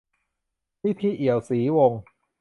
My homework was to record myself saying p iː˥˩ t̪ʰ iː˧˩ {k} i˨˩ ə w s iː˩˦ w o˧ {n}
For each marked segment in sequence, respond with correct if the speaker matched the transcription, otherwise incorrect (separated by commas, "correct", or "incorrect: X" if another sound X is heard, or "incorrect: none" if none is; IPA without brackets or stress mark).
incorrect: ʔ, incorrect: ŋ